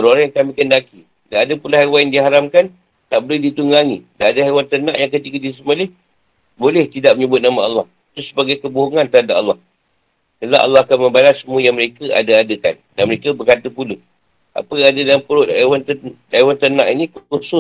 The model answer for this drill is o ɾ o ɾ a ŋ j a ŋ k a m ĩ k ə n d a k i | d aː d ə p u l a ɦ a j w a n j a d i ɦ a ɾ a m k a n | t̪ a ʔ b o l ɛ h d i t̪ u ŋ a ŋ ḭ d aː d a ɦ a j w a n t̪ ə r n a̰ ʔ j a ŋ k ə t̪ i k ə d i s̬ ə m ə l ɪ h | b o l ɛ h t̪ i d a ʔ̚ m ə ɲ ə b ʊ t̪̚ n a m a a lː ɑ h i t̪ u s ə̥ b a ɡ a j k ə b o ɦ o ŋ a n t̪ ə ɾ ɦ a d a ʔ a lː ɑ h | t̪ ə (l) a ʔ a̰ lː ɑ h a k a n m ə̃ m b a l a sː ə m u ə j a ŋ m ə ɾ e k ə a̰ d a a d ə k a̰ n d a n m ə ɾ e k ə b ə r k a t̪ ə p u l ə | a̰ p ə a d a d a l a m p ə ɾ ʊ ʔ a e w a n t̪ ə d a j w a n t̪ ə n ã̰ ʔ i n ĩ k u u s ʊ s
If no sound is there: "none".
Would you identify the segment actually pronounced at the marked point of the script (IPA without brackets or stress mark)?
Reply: l